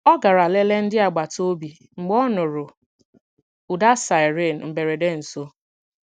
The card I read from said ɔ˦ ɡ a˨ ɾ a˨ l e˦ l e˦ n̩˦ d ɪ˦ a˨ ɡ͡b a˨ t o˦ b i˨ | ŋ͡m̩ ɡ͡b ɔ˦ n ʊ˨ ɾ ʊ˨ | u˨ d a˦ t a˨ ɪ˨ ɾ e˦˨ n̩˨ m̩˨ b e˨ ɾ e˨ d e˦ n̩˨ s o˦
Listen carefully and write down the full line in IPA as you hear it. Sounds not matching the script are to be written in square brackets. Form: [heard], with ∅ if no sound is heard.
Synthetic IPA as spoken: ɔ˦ ɡ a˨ ɾ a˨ l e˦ l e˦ n̩˦ d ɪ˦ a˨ ɡ͡b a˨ t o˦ b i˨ | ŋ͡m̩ ɡ͡b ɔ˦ n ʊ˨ ɾ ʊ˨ | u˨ d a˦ [s] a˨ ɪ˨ ɾ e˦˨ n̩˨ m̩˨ b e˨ ɾ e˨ d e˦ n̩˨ s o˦